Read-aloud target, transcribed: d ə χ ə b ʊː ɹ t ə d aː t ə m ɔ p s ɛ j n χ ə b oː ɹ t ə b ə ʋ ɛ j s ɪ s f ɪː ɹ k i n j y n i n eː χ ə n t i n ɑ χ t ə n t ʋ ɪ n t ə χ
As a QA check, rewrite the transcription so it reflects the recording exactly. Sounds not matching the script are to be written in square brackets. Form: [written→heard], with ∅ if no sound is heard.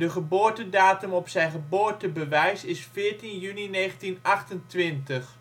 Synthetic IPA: d ə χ ə b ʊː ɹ t ə d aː t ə m ɔ p s ɛ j n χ ə b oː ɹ t ə b ə ʋ ɛ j s ɪ s f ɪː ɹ [k→t] i n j y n i n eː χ ə n t i n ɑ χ t ə n t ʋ ɪ n t ə χ

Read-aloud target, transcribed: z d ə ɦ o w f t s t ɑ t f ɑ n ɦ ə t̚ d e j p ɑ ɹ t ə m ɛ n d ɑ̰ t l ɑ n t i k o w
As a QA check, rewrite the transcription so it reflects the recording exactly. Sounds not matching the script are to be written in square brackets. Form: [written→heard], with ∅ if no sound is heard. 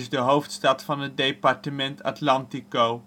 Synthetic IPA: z d ə ɦ o w f t s t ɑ t f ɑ n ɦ ə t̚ d e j p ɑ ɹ t ə m ɛ n [d→t] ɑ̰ t l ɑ n t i k o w

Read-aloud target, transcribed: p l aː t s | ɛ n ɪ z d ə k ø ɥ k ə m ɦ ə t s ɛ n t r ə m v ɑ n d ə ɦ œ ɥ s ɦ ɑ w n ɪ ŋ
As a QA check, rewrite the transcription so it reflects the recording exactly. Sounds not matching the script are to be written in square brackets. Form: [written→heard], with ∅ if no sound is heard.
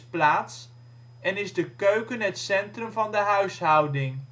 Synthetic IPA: p l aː t s | ɛ n ɪ z d ə k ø ɥ k ə [m→n] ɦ ə t s ɛ n t r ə m v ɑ n d ə ɦ œ ɥ s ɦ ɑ w [n→d] ɪ ŋ

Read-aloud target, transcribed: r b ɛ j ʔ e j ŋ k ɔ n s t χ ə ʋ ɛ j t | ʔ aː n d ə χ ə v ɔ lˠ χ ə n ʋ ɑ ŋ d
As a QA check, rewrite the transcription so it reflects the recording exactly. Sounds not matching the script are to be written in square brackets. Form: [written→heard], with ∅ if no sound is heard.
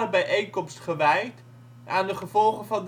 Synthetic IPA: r b ɛ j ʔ e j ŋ k ɔ [n→m] s t χ ə ʋ ɛ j t | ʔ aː n d ə χ ə v ɔ lˠ χ ə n [ʋ→v] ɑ [ŋ→n] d

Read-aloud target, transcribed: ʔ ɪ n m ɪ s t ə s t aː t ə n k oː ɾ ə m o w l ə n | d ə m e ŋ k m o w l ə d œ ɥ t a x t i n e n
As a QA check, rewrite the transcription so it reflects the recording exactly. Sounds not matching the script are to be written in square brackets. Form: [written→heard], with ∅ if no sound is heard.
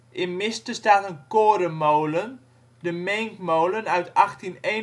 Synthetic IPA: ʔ ɪ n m ɪ s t ə s t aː t ə n k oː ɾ ə m o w l ə n | d ə m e ŋ k m o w l ə [d→n] œ ɥ t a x t i n e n

